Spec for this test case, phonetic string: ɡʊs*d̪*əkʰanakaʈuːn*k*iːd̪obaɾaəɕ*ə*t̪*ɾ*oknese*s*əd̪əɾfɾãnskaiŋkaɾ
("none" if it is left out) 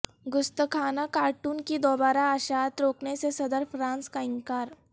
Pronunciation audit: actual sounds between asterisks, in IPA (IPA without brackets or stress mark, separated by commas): t̪, k, a, ɾ, s